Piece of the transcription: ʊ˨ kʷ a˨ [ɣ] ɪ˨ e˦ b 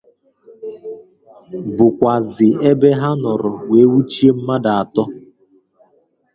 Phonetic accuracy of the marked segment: incorrect: z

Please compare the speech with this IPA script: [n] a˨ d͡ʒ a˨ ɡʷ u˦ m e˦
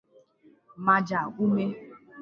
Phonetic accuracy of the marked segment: incorrect: m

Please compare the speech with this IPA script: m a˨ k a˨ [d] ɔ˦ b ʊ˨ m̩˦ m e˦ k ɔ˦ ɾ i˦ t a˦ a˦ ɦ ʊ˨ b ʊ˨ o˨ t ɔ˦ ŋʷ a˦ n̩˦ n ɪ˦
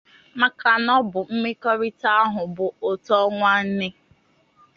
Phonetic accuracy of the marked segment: incorrect: n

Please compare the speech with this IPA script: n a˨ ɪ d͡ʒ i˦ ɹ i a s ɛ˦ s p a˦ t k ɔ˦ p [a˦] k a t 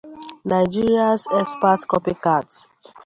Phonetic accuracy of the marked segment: incorrect: i˦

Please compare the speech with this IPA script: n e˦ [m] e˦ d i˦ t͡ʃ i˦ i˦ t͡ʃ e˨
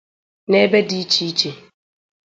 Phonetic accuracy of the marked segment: incorrect: b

